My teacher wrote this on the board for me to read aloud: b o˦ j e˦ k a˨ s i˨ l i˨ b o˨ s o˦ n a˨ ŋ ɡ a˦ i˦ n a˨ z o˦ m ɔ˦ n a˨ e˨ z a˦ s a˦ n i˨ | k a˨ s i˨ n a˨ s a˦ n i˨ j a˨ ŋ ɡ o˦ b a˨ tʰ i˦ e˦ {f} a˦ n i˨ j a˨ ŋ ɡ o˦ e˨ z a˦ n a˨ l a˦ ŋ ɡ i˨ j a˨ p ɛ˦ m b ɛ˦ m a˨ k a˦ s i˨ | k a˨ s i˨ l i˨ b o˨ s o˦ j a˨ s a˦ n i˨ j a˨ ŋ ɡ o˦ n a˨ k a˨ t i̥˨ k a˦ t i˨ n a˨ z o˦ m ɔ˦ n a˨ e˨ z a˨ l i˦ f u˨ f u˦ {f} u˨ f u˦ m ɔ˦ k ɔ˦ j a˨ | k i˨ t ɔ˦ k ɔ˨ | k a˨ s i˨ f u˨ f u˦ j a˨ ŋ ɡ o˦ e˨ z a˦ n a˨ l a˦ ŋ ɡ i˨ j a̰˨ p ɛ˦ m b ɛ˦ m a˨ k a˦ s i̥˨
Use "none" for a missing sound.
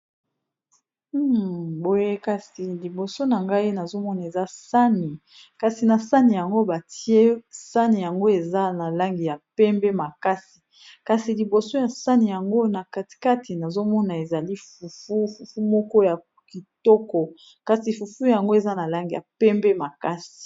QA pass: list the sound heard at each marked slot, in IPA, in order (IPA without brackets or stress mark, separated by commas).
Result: s, f